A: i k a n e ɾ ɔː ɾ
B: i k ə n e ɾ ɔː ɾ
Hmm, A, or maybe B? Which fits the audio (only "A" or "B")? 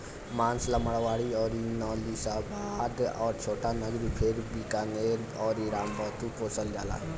A